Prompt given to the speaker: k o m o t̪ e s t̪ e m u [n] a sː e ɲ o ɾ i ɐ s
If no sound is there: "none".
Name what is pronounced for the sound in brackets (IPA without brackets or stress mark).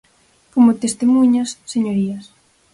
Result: ɲ